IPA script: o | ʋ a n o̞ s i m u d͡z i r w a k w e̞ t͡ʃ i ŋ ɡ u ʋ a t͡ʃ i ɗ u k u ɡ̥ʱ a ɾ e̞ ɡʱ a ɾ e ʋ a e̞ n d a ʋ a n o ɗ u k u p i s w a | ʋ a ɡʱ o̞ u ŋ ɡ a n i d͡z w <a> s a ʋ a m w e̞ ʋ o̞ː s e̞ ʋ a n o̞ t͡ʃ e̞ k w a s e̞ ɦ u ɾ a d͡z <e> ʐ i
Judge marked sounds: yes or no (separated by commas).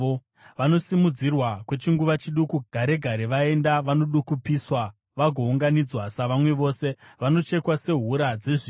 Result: yes, yes